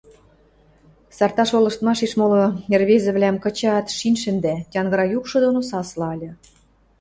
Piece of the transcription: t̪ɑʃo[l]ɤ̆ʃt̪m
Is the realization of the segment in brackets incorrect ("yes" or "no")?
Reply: no